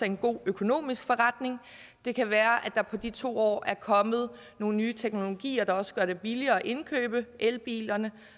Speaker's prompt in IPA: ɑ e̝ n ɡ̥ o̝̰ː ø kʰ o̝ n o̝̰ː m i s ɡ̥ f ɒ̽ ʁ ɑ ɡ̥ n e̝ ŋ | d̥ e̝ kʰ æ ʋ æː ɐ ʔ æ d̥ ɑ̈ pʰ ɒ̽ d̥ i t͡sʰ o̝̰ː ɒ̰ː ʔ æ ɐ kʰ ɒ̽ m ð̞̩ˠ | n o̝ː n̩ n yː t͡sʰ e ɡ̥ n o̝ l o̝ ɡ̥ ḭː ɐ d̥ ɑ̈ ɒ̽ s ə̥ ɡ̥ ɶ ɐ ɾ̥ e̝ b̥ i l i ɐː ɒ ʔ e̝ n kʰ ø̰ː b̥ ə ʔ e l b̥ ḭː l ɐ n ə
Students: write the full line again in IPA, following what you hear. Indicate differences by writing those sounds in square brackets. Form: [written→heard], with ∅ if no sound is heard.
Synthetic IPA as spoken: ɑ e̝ n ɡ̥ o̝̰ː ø kʰ o̝ n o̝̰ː m i s ɡ̥ f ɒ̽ ʁ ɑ [ɡ̥→d̥] n e̝ ŋ | d̥ e̝ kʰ æ ʋ æː ɐ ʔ æ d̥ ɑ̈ pʰ ɒ̽ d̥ i t͡sʰ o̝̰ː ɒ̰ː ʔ æ ɐ kʰ ɒ̽ m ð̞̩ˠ | n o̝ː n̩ n yː t͡sʰ e ɡ̥ n o̝ l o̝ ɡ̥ ḭː ɐ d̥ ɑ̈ ɒ̽ s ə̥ ɡ̥ ɶ ɐ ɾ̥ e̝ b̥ i l i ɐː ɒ ʔ e̝ n kʰ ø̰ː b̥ ə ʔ e l b̥ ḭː l ɐ n ə